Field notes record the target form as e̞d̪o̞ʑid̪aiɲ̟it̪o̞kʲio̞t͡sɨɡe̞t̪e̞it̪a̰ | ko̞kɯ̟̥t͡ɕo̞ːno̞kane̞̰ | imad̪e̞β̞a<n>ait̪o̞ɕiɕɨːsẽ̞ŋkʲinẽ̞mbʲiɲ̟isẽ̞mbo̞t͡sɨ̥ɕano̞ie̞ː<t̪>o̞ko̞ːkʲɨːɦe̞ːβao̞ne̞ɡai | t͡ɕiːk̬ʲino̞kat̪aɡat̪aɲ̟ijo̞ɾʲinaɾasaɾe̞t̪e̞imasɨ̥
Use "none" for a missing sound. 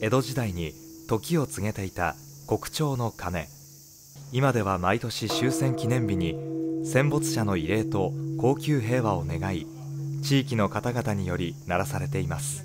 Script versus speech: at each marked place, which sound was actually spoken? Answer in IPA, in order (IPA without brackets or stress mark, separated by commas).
m, t̪